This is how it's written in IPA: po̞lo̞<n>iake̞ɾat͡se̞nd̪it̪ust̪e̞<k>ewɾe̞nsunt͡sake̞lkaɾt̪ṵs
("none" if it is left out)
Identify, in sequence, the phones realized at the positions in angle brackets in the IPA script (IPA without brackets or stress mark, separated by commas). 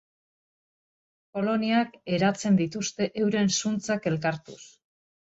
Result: n, ʔ